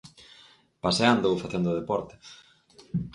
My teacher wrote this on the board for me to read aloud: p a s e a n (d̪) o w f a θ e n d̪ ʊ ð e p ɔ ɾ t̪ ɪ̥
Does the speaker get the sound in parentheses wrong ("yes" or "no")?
no